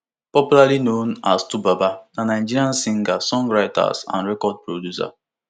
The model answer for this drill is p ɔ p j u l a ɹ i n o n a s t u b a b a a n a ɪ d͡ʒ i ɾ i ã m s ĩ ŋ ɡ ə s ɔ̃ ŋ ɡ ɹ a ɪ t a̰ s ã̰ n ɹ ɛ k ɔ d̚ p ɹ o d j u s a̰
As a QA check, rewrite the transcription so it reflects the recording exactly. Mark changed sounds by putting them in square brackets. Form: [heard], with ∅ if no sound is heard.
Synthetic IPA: p ɔ p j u l a [l] i n o n a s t u b a b a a n a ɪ d͡ʒ i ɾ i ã [n] s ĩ ŋ ɡ [a] s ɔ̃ ŋ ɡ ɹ a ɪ t a̰ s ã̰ n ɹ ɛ k ɔ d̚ p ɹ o d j u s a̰